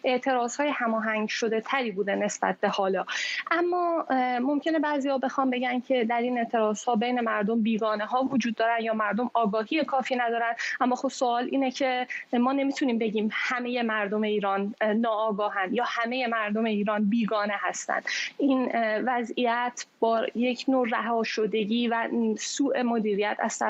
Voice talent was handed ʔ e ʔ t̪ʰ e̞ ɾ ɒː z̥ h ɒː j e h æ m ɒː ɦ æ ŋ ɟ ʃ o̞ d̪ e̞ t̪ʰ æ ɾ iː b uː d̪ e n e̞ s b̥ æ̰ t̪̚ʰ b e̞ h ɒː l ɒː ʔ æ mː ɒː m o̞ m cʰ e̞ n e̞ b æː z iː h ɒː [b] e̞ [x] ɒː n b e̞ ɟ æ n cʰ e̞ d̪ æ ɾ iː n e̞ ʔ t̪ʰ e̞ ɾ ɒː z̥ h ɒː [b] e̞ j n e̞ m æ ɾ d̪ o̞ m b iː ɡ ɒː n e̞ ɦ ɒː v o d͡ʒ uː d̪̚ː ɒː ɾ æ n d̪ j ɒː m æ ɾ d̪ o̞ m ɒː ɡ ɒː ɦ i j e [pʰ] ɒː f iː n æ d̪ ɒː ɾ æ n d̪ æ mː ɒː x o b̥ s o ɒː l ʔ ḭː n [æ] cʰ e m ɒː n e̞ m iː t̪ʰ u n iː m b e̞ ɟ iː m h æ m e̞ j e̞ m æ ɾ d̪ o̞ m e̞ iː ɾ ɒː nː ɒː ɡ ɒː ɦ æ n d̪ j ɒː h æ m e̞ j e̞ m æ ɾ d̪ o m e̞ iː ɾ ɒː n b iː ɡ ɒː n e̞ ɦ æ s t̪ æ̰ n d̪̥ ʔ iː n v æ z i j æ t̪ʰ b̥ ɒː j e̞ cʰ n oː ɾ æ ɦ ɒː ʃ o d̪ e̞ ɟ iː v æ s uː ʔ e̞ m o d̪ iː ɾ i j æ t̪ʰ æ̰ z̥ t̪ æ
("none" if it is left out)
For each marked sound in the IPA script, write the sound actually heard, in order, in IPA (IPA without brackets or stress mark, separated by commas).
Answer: b, x, b, kʰ, e